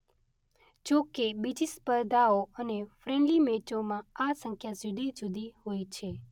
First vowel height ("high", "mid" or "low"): mid